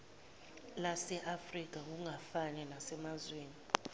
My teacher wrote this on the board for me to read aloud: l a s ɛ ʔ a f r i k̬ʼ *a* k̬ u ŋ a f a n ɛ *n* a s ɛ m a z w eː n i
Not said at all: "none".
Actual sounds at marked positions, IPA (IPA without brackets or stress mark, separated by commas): a, n